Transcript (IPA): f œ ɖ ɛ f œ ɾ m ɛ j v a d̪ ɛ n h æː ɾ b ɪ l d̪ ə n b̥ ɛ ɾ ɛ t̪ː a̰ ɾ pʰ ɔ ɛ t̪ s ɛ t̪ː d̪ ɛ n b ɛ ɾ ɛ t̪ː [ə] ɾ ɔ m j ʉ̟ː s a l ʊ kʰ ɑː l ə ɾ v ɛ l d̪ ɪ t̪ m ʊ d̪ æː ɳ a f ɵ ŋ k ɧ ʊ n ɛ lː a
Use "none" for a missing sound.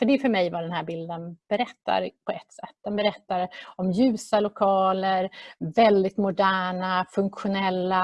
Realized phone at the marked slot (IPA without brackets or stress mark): a